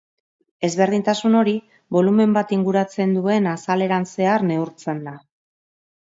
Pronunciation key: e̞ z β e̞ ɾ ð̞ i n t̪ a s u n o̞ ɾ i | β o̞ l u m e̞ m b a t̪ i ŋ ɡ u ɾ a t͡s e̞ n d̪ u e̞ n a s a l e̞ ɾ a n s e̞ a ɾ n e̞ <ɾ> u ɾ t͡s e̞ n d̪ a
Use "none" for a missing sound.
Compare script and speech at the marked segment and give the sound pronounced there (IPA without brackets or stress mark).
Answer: none